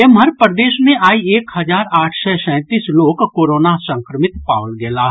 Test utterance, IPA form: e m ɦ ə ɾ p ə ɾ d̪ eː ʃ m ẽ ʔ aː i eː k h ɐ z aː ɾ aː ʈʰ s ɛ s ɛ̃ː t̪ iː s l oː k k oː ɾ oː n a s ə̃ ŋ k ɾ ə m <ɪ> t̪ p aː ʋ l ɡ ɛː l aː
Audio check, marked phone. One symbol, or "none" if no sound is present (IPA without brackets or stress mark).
ɪ